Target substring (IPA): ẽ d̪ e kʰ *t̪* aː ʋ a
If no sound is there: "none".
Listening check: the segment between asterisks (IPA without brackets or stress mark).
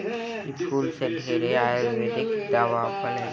d̪